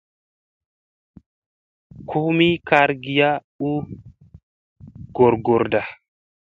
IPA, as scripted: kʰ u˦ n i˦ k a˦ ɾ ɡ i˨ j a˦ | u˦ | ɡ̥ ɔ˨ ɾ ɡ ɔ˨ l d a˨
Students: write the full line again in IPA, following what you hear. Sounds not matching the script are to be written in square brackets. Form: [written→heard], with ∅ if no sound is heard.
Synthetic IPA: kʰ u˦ [n→m] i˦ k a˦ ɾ ɡ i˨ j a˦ | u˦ | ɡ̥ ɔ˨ ɾ ɡ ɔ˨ [l→ɾ] d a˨